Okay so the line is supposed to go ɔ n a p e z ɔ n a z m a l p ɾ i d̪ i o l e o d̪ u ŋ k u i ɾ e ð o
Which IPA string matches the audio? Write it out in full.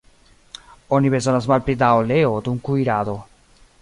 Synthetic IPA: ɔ n i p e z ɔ n a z m a l p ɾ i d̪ a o l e o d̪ u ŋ k u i ɾ a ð o

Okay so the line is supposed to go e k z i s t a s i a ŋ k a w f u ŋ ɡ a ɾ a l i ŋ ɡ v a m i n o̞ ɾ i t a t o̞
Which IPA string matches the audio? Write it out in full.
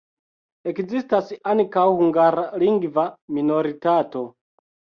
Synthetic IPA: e k z i s t a s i a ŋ k a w h u ŋ ɡ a ɾ a l i ŋ ɡ v a m i n o̞ ɾ i t a t o̞

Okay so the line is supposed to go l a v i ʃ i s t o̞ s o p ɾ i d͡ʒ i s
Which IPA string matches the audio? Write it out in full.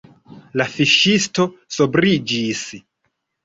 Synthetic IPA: l a f i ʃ i s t o̞ s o b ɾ i d͡ʒ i s

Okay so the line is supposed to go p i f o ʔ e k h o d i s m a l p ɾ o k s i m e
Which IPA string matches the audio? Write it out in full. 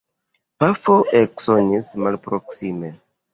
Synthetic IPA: p a f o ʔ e k s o n i s m a l p ɾ o k s i m e

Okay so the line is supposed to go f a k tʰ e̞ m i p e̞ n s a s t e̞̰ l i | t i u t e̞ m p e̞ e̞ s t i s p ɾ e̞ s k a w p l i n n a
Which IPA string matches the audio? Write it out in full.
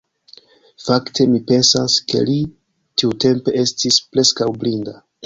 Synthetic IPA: f a k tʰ e̞ m i p e̞ n s a s k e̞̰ l i | t i u t e̞ m p e̞ e̞ s t i s p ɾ e̞ s k a w b l i n d a

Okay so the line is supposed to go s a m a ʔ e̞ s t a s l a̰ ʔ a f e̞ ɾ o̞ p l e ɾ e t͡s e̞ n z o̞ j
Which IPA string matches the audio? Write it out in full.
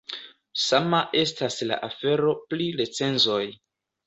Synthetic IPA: s a m a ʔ e̞ s t a s l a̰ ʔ a f e̞ ɾ o̞ p l i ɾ e t͡s e̞ n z o̞ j

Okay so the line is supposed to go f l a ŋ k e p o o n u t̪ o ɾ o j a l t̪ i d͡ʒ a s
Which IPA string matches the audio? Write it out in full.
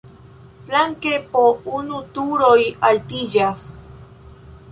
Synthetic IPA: f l a ŋ k e p o u n u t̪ u ɾ o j a l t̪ i d͡ʒ a s

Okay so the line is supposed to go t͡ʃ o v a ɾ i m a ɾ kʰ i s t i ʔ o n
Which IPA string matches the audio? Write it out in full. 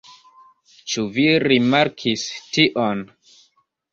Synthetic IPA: t͡ʃ u v i ɾ i m a ɾ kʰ i s t i ʔ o n

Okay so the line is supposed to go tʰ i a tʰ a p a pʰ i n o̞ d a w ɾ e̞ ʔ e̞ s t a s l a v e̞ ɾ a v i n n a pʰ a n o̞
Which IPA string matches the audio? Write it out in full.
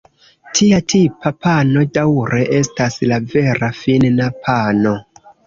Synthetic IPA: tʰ i a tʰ i p a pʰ a n o̞ d a w ɾ e̞ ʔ e̞ s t a s l a v e̞ ɾ a f i n n a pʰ a n o̞

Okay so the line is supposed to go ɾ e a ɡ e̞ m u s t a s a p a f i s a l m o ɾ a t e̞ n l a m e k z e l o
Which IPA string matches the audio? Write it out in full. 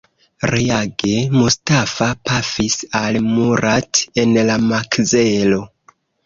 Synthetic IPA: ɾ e a ɡ e̞ m u s t a f a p a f i s a l m u ɾ a t e̞ n l a m a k z e l o

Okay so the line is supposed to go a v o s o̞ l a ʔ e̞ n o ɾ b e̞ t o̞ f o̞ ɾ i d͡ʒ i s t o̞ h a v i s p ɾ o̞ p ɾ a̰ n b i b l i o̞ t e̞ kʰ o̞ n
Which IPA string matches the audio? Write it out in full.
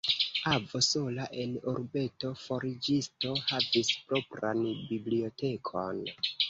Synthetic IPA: a v o s o̞ l a ʔ e̞ n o ɾ b e̞ t o̞ f o̞ ɾ i d͡ʒ i s t o̞ h a v i s p ɾ o̞ p ɾ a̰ n b i b l i o̞ t e̞ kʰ o̞ n

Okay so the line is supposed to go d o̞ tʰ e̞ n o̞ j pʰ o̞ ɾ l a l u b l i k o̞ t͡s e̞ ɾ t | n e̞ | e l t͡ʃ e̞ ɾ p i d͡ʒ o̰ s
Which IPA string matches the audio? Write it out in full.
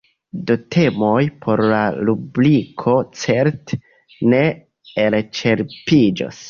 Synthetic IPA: d o̞ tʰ e̞ m o̞ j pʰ o̞ ɾ l a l u b l i kʰ o̞ t͡s e̞ ɾ t | n e̞ | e l t͡ʃ e̞ ɾ p i d͡ʒ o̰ s

